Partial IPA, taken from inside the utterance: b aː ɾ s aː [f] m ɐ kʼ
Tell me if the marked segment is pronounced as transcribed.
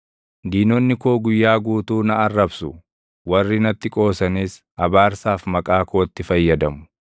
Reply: yes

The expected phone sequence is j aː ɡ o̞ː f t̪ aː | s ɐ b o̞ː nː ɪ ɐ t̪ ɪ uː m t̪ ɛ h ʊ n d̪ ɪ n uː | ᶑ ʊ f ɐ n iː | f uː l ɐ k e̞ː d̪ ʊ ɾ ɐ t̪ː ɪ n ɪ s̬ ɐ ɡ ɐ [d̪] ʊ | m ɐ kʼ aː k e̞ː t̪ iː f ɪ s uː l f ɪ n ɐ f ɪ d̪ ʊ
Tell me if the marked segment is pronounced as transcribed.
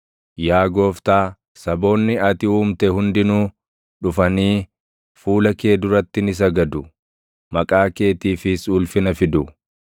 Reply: yes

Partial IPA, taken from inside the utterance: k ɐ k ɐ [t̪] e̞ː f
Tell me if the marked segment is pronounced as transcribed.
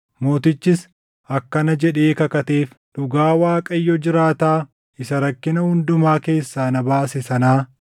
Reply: yes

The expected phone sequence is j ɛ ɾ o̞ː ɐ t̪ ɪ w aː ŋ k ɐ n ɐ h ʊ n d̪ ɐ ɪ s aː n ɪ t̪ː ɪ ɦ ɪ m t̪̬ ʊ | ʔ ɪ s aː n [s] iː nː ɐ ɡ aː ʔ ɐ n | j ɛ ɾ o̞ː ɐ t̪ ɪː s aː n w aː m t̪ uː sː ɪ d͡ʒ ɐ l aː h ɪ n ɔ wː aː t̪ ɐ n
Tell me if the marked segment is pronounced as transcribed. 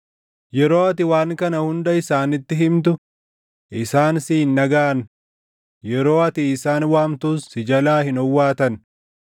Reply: yes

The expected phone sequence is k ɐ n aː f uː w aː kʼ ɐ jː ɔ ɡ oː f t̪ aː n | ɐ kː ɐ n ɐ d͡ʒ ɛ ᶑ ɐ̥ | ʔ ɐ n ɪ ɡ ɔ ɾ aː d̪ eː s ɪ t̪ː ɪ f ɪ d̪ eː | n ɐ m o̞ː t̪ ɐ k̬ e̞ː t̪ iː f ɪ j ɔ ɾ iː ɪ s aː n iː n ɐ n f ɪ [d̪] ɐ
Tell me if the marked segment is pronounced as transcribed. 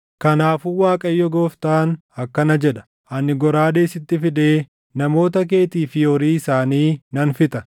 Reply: no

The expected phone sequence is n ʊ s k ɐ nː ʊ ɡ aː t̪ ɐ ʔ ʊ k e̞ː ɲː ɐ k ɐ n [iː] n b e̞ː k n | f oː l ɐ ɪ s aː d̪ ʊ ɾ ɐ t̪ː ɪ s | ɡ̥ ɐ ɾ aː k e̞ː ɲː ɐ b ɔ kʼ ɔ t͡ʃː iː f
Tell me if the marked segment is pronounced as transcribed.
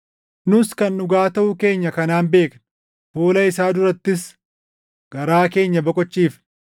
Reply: no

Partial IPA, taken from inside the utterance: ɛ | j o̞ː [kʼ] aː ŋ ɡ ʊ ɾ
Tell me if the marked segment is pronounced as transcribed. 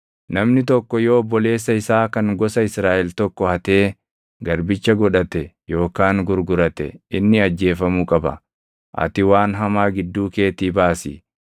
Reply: no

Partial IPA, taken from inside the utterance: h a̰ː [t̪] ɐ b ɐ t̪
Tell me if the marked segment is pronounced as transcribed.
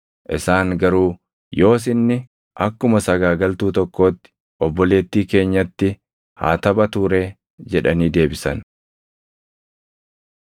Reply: yes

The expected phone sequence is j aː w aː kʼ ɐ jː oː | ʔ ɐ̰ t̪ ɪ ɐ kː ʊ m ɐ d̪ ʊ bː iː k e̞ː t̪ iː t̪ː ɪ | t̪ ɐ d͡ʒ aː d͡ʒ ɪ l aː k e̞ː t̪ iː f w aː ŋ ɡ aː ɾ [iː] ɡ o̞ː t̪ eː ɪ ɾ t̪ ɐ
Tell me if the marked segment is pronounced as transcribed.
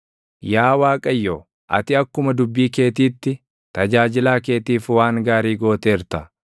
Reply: yes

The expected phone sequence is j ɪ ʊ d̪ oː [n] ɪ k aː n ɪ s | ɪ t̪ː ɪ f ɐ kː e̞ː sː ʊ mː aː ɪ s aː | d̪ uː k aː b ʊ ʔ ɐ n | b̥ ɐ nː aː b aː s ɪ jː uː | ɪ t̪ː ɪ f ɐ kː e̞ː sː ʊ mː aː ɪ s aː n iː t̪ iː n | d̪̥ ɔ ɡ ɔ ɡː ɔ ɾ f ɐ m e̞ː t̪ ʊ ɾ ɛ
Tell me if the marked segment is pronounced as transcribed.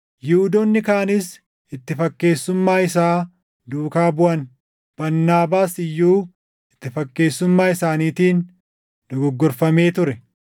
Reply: no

